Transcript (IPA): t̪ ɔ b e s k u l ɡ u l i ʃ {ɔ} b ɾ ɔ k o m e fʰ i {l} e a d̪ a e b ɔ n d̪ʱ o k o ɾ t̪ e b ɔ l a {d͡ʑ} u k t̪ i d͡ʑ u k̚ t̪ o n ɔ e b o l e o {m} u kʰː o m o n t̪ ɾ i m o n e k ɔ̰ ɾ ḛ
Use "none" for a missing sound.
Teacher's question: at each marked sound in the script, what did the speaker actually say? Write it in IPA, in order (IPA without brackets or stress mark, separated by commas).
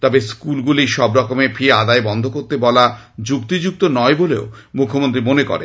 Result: ɔ, none, d͡ʑ, m